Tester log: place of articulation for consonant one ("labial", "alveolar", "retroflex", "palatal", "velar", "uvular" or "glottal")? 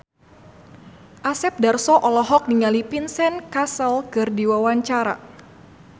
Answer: glottal